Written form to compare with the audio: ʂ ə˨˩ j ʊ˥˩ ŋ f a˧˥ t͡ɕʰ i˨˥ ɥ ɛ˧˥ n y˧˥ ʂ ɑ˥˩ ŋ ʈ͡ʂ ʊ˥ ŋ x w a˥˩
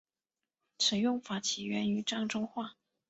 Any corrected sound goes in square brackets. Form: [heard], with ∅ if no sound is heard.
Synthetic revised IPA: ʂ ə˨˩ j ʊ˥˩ ŋ f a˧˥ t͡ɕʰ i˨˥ ɥ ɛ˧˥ n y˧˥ [ʈ͡ʂ] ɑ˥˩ ŋ ʈ͡ʂ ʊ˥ ŋ x w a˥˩